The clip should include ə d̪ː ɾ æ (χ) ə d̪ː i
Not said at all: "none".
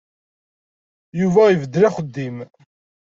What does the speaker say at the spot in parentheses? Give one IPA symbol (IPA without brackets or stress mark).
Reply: χ